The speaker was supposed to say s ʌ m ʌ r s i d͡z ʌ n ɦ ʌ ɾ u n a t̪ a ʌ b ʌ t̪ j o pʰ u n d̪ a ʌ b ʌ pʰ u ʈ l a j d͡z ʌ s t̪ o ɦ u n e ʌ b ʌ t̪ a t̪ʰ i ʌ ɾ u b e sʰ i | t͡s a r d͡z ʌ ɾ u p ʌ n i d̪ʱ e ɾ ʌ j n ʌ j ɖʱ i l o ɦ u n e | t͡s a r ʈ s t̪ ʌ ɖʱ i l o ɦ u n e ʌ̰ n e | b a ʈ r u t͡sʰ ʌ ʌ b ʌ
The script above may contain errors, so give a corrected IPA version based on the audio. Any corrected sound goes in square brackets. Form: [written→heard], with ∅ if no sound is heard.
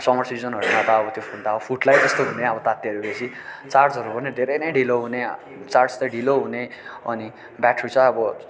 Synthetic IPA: s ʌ m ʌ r s i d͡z ʌ n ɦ ʌ ɾ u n a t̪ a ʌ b ʌ t̪ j o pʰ u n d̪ a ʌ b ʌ pʰ u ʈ l a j d͡z ʌ s t̪ o ɦ u n e ʌ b ʌ t̪ a [t̪ʰ→t̪] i ʌ ɾ u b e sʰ i | t͡s a r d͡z ʌ ɾ u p ʌ n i d̪ʱ e ɾ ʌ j n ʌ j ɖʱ i l o ɦ u n e | t͡s a r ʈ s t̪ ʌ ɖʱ i l o ɦ u n e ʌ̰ n [e→i] | b a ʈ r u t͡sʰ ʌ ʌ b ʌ